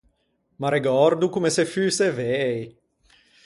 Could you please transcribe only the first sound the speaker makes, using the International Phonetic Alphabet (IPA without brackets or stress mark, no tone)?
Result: m